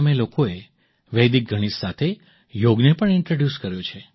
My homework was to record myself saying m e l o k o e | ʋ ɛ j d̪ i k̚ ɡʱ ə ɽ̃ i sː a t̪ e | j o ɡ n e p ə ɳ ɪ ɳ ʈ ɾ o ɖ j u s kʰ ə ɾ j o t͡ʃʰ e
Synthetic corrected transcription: m e l o k o e | ʋ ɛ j d̪ i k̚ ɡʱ ə ɽ̃ i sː a t̪ʰ e | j o ɡ n e p ə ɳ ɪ ɳ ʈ ɾ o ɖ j u s k ə ɾ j o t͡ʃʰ e